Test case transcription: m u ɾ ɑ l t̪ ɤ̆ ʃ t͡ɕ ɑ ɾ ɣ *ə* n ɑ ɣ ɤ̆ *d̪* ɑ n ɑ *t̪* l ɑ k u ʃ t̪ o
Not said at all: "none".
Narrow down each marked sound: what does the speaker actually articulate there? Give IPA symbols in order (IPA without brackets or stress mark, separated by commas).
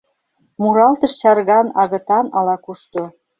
ɑ, t̪, none